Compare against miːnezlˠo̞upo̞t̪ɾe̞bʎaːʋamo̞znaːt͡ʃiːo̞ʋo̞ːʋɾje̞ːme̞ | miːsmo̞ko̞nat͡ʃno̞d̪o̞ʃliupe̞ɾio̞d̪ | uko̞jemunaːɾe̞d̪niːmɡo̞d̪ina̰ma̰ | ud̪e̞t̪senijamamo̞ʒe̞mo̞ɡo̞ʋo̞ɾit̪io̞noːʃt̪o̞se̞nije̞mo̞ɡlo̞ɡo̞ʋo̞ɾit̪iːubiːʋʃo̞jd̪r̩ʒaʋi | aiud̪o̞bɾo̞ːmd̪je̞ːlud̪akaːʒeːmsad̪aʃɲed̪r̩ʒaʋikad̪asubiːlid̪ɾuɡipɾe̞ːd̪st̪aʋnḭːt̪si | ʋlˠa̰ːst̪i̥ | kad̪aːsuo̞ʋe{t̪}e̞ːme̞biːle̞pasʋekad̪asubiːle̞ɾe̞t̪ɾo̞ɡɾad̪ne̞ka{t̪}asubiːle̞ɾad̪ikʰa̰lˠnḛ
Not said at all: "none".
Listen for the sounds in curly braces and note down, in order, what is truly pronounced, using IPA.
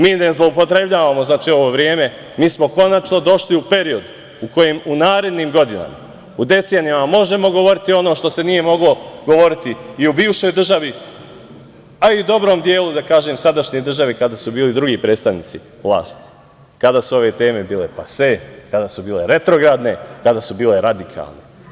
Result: t̪, d̪

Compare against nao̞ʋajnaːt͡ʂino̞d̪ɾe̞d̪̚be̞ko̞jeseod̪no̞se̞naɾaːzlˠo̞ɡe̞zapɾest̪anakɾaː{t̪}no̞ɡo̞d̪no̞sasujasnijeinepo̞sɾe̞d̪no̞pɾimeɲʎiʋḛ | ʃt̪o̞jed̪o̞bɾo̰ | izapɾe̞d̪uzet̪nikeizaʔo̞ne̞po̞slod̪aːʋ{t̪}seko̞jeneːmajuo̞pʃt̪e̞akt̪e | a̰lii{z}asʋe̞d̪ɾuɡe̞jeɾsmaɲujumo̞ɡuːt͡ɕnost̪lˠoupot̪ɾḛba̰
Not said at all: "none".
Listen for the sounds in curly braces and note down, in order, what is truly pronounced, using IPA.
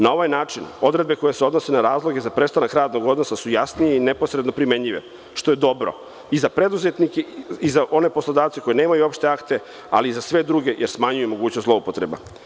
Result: d̪, t̪, z

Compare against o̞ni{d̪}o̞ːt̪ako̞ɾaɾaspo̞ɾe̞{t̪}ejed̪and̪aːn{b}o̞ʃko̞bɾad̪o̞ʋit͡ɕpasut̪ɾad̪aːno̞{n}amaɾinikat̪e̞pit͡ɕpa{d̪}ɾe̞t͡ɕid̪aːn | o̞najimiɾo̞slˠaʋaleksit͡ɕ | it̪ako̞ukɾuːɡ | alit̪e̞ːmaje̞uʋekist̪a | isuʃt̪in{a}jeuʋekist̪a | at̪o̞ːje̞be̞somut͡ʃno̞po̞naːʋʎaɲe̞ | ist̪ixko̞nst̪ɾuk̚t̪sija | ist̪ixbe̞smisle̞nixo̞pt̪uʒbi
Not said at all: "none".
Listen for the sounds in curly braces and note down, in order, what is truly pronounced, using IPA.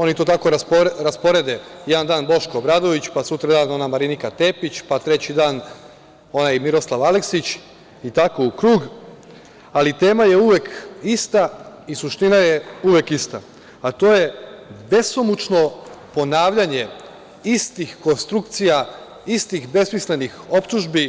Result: t̪, d̪, b, n, t̪, a

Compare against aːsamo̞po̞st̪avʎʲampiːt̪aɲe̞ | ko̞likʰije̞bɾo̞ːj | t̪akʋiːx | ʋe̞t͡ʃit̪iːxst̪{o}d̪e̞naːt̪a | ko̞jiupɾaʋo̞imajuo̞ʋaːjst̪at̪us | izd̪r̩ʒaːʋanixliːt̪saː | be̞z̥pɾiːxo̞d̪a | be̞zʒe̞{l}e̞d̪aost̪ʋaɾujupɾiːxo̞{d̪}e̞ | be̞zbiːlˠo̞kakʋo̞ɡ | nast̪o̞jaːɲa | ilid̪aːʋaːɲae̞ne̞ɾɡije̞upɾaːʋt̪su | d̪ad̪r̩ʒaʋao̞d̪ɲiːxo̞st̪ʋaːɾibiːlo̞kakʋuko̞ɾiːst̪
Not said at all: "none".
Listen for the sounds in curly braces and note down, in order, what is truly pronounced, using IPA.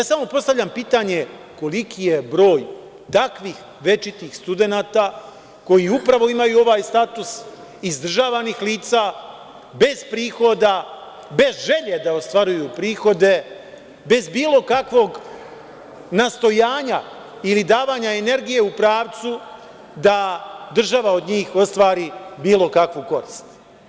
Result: u, ʎ, d̪

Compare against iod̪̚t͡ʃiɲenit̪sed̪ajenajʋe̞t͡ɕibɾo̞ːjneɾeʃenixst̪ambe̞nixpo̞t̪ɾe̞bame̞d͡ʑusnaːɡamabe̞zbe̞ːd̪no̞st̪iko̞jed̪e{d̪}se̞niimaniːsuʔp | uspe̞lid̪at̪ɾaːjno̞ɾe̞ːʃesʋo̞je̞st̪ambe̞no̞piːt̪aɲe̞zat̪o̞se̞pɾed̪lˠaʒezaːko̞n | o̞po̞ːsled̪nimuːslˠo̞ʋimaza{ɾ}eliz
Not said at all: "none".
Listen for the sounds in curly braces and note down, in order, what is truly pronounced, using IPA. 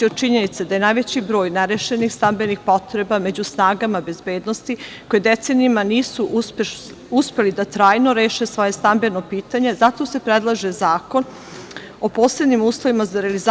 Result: t̪, ɾ

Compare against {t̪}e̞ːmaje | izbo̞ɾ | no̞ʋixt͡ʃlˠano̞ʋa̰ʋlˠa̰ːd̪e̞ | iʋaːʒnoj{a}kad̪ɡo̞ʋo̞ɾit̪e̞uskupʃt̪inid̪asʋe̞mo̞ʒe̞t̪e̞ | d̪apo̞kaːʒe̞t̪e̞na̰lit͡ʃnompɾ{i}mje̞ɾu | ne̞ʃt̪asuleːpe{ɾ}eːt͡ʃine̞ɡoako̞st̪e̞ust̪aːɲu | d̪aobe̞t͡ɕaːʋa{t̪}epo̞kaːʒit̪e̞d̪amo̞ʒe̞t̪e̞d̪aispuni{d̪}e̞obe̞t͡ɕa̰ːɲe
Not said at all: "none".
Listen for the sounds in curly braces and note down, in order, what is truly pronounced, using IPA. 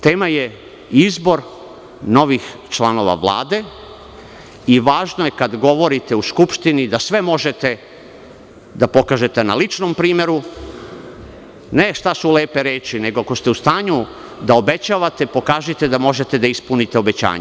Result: t̪, e, iː, ɾ, t̪, t̪

